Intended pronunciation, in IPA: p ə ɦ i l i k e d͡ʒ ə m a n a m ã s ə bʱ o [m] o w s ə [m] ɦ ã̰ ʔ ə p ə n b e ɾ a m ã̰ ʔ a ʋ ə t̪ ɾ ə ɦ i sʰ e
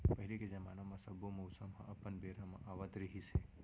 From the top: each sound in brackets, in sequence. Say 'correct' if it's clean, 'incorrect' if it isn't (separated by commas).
correct, correct